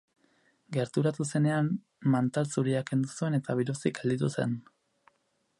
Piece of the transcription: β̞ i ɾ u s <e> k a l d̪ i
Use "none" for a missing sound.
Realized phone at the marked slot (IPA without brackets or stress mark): i